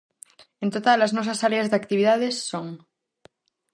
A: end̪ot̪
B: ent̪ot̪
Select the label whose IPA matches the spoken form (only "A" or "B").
B